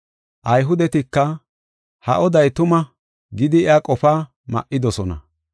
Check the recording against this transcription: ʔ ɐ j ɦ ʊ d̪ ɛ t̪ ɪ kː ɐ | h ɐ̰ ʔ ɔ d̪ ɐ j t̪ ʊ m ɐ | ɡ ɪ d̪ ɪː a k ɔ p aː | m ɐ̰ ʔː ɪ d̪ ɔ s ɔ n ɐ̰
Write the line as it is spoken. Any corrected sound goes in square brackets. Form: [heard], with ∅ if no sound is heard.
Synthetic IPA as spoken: ʔ ɐ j ɦ ʊ d̪ ɛ t̪ ɪ kː ɐ | h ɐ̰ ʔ ɔ d̪ ɐ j t̪ ʊ m ɐ | ɡ ɪ d̪ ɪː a [kʼ] ɔ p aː | m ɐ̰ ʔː ɪ d̪ ɔ s ɔ n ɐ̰